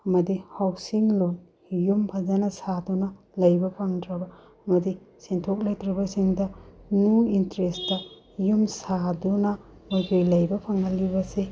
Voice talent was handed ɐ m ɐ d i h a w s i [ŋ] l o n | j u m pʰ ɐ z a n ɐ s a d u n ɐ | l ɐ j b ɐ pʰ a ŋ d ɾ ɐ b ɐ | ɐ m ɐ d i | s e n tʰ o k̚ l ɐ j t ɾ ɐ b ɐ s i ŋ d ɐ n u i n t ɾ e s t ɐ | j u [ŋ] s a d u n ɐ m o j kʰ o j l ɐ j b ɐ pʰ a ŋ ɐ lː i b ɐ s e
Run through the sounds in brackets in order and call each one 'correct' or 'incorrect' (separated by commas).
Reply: correct, incorrect